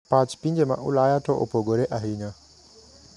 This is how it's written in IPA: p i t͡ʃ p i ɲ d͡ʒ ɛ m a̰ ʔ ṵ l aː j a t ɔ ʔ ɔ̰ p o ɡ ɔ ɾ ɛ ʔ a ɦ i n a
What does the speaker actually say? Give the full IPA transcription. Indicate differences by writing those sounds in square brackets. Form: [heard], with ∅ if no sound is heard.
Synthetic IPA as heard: p [a] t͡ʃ p i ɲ d͡ʒ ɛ m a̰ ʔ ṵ l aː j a t ɔ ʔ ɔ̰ p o ɡ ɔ ɾ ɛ ʔ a ɦ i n a